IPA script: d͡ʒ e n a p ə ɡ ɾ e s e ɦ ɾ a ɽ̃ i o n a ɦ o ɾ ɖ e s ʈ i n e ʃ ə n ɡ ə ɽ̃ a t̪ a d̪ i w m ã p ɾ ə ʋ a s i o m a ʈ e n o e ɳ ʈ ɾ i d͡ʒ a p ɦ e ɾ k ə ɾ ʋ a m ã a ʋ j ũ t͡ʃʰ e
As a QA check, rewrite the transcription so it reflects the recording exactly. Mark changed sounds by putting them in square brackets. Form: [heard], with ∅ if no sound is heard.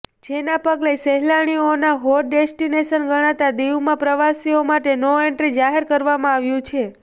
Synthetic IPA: d͡ʒ e n a p ə ɡ [l] e s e ɦ [l] a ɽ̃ i o n a ɦ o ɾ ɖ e s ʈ i n e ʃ ə n ɡ ə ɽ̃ a t̪ a d̪ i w m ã p ɾ ə ʋ a s i o m a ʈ e n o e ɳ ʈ ɾ i d͡ʒ a [∅] ɦ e ɾ k ə ɾ ʋ a m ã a ʋ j ũ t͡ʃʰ e